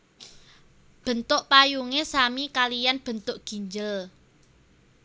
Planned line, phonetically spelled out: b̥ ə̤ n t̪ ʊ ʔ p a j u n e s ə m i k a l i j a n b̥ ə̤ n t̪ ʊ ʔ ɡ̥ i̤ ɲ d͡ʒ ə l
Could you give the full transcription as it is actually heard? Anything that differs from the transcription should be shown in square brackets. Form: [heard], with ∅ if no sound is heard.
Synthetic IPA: b̥ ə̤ n t̪ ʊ ʔ p a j u [ŋ] e s [a] m i k a l i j a n b̥ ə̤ n t̪ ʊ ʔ ɡ̥ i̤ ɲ d͡ʒ ə l